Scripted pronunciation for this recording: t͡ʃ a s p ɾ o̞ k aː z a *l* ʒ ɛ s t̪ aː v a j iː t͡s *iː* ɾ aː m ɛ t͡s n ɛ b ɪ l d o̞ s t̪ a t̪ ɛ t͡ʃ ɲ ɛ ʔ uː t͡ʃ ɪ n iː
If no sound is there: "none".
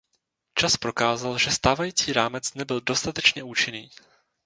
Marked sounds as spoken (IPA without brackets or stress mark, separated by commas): l, iː